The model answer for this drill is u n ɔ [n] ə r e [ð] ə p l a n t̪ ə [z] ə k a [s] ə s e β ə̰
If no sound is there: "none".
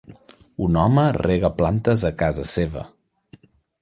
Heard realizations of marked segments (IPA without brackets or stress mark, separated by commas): m, ɣ, z, z